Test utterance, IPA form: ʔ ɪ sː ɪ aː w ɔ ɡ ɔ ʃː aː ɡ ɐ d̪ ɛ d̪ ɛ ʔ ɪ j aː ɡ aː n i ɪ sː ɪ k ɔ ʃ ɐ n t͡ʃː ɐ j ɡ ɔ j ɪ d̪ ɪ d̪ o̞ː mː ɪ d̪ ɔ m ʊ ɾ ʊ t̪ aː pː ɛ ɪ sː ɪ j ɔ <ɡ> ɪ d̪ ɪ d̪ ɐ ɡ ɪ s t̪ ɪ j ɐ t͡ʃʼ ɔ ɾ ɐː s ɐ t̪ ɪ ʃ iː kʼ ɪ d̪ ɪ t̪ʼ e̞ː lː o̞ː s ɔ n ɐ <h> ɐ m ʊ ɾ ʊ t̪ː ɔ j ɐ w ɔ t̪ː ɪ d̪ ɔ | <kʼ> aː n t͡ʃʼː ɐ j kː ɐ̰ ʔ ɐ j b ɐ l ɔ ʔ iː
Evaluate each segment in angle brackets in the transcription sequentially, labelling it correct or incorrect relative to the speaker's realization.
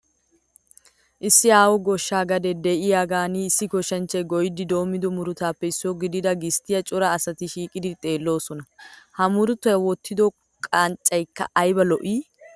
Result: correct, correct, correct

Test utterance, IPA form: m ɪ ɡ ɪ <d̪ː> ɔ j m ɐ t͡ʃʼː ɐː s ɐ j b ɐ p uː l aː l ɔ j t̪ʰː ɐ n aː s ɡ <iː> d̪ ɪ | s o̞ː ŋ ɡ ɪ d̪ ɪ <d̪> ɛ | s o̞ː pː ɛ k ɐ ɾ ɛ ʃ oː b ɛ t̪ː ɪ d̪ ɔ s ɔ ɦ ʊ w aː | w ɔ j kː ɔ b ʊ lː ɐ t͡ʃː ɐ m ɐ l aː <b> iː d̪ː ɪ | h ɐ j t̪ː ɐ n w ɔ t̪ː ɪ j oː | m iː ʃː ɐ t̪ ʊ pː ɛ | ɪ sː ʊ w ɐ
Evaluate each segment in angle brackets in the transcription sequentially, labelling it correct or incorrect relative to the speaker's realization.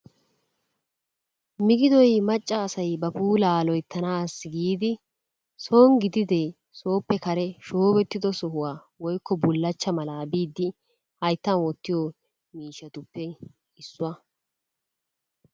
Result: incorrect: d̪, correct, correct, correct

